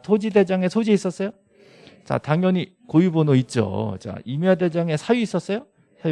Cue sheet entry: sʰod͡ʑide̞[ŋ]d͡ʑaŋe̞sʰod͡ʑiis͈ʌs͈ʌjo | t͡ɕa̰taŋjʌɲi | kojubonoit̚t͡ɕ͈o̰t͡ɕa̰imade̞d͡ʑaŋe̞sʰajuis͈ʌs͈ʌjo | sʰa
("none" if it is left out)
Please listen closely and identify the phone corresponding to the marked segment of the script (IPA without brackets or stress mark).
none